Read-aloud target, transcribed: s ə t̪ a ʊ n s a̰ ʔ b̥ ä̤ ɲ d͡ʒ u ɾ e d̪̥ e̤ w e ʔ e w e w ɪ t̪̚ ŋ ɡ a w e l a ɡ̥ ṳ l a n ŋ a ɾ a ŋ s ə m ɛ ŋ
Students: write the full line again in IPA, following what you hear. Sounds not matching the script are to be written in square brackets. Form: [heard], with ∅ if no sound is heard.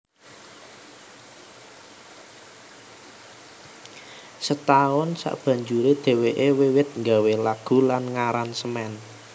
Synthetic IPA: s ə t̪ a ʊ n s a̰ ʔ b̥ ä̤ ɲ d͡ʒ u ɾ e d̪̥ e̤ w e ʔ e w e w ɪ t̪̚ ŋ ɡ a w e l a ɡ̥ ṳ l a n ŋ a ɾ a [n] s ə m ɛ [n]